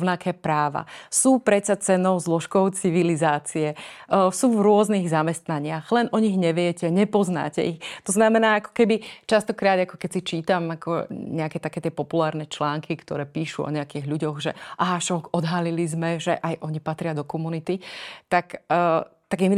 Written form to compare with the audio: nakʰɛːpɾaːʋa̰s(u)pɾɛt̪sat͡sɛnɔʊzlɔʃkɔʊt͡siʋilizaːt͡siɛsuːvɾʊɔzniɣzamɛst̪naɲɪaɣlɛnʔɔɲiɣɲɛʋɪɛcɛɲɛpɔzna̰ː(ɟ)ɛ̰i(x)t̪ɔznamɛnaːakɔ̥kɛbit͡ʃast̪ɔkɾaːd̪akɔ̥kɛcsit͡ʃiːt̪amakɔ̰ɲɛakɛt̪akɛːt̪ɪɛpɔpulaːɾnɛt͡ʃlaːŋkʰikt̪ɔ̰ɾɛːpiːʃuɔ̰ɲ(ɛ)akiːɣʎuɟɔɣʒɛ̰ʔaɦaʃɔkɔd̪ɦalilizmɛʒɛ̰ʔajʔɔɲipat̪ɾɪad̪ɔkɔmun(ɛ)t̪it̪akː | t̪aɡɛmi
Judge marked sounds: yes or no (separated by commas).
no, no, yes, yes, no